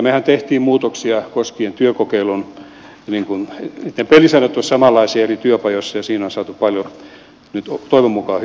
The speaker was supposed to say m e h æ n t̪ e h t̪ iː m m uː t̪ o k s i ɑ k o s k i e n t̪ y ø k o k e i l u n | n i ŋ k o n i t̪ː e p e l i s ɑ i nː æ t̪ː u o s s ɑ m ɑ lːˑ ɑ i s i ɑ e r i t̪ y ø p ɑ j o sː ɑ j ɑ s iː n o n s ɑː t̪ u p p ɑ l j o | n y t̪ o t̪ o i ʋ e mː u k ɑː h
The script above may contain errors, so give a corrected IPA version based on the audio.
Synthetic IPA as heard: m e h æ n t̪ e h t̪ iː m m uː t̪ o k s i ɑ k o s k i e n t̪ y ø k o k e i l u n | n i ŋ k u n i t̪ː e p e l i s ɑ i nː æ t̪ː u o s s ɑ m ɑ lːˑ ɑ i s i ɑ e r i t̪ y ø p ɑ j o sː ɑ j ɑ s iː n o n s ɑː t̪ u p p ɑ l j o | n y t̪ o t̪ o i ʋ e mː u k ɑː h